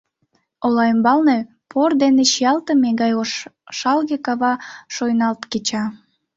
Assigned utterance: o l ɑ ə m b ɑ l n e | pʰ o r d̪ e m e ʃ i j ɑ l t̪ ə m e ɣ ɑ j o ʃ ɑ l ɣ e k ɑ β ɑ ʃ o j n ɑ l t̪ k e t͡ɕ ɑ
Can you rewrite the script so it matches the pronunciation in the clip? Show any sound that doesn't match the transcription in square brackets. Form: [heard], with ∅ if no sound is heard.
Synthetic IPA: o l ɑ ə m b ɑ l n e | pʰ o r d̪ e [n] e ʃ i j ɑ l t̪ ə m e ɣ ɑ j o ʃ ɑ l ɣ e k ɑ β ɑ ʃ o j n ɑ l t̪ k e t͡ɕ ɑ